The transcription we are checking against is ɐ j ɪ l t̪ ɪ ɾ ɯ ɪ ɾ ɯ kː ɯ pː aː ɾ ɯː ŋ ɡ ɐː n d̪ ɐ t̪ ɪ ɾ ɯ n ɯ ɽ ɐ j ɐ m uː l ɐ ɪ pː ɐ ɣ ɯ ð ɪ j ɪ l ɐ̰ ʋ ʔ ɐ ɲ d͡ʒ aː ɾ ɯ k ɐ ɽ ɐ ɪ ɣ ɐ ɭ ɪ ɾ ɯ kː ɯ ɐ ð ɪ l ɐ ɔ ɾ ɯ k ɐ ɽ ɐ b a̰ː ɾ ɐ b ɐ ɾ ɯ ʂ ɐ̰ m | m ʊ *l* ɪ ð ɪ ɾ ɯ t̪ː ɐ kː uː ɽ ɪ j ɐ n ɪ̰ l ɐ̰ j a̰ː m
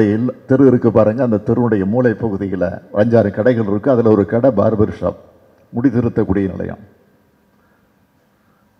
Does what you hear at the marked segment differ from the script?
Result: yes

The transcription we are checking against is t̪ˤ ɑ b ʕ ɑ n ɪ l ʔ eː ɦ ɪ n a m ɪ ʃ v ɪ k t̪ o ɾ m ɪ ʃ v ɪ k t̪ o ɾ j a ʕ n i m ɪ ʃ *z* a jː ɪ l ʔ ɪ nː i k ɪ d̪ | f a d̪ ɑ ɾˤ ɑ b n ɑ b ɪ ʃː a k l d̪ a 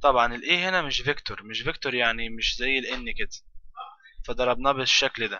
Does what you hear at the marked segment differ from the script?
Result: no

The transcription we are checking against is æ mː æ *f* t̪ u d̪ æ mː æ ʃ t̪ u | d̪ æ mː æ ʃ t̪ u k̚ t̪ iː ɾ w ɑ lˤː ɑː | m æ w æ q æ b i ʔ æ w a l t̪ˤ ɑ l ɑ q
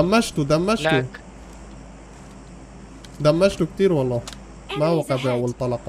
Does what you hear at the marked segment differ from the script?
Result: yes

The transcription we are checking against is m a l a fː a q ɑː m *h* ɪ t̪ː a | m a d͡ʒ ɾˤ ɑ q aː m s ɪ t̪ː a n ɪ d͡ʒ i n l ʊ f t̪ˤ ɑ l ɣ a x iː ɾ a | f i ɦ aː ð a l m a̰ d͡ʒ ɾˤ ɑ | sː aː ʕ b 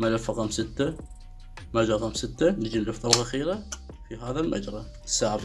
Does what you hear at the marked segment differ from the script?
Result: yes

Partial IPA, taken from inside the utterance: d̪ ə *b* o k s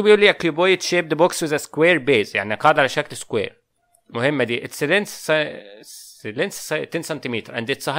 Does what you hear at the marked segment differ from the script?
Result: no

